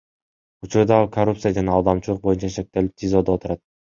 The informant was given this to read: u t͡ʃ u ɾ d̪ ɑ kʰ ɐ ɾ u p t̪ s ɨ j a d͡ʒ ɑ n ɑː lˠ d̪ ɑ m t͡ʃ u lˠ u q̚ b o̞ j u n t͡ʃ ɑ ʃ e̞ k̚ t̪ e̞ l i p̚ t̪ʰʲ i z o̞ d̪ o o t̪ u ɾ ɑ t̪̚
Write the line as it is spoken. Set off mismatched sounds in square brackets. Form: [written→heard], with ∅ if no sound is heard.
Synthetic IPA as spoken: u t͡ʃ u ɾ d̪ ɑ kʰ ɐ [ɾ→r] u p t̪ s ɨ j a d͡ʒ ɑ n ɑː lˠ d̪ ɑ m t͡ʃ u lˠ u q̚ b o̞ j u n t͡ʃ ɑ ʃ e̞ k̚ t̪ e̞ l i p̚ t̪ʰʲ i z o̞ d̪ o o t̪ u ɾ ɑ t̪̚